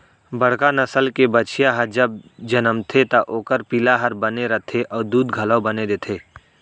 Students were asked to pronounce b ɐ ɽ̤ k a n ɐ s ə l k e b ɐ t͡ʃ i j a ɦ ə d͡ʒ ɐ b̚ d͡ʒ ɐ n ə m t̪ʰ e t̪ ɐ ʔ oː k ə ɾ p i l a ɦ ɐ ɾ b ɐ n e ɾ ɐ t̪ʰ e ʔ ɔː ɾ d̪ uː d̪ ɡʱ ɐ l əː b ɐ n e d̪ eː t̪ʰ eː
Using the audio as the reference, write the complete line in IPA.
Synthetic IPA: b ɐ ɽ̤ k a n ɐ s ə l k e b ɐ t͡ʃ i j a ɦ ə d͡ʒ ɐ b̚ d͡ʒ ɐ n ə m t̪ʰ e t̪ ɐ ʔ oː k ə ɾ p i l a ɦ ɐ ɾ b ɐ n e ɾ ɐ t̪ʰ e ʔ ɔː ɾ d̪ uː d̪ ɡʱ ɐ l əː b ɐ n e d̪ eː t̪ʰ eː